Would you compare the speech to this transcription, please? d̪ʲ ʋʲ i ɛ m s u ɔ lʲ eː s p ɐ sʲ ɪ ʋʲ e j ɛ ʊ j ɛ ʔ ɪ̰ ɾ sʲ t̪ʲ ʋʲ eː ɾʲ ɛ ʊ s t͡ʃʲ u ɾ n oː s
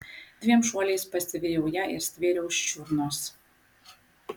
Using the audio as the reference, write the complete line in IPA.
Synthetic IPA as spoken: d̪ʲ ʋʲ i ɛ m ʃ u ɔ lʲ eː s p ɐ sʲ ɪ ʋʲ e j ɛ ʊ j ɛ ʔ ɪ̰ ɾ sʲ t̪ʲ ʋʲ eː ɾʲ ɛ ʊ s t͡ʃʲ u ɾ n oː s